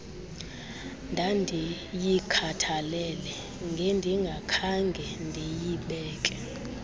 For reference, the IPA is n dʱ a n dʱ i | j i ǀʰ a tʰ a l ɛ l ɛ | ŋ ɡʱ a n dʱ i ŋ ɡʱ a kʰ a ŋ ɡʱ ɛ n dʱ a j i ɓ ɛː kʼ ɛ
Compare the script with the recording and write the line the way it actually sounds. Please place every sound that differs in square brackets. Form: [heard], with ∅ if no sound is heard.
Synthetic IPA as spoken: n dʱ a n dʱ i | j i [kʰ] a tʰ a l ɛ l ɛ | ŋ ɡʱ [e] n dʱ i ŋ ɡʱ a kʰ a ŋ ɡʱ ɛ n dʱ [e] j i ɓ ɛː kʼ ɛ